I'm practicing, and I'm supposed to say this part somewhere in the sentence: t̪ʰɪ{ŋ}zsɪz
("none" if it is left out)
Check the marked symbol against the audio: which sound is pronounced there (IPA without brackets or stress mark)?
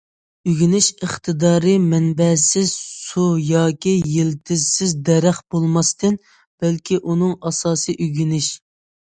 none